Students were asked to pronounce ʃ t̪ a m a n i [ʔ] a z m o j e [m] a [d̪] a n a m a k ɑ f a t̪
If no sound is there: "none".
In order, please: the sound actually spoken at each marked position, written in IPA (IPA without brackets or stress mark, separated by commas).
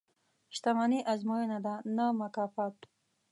ʔ, n, d̪